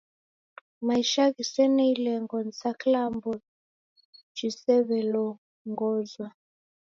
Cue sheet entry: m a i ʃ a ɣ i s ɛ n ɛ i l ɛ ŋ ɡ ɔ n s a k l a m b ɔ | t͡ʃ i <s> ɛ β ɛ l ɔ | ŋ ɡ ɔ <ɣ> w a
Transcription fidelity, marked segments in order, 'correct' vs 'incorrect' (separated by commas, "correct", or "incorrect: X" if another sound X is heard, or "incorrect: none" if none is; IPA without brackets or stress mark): correct, incorrect: z